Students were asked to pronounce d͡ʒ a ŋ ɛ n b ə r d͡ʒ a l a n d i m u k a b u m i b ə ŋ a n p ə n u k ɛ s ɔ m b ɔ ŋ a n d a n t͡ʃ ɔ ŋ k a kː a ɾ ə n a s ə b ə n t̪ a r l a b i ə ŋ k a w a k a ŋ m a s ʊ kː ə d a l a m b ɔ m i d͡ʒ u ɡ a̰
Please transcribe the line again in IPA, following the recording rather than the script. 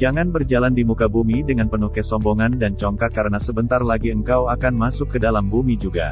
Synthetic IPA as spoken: d͡ʒ a ŋ a n b ə r d͡ʒ a l a n d i m u k a b u m i d ə ŋ a n p ə n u k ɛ s ɔ m b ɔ ŋ a n d a n t͡ʃ ɔ ŋ k a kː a ɾ ə n a s ə b ə n t̪ a r l a ɡ i ə ŋ k a w a k a n m a s ʊ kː ə d a l a m b u m i d͡ʒ u ɡ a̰